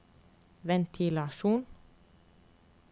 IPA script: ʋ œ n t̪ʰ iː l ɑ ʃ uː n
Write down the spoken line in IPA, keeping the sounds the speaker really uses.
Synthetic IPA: ʋ ɛ n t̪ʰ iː l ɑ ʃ uː n